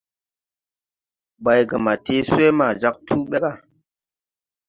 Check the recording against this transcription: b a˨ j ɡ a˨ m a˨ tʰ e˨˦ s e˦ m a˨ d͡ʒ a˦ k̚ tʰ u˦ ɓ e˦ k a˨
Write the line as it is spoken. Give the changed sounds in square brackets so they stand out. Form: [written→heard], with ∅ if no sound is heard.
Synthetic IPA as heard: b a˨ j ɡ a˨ m a˨ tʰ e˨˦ s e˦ m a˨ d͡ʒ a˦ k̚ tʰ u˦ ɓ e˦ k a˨